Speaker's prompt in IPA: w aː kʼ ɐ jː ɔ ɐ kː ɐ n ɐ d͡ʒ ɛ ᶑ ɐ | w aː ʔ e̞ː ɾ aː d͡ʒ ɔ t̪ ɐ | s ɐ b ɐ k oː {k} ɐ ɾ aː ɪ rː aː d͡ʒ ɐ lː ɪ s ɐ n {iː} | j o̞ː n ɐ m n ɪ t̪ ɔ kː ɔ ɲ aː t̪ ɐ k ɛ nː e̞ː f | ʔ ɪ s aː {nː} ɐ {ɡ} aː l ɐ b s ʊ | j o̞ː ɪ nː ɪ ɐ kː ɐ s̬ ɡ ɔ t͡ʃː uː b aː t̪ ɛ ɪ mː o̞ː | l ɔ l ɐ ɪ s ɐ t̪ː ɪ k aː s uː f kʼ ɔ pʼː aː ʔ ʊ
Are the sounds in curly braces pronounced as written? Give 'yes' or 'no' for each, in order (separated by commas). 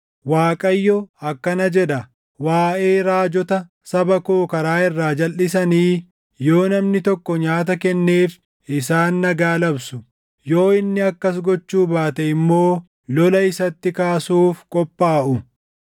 yes, yes, yes, yes